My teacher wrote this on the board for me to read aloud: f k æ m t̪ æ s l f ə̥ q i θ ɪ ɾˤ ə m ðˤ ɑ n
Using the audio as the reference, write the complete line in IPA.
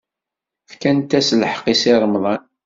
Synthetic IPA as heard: f k æ n t̪ æ s l ħ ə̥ q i s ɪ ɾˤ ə m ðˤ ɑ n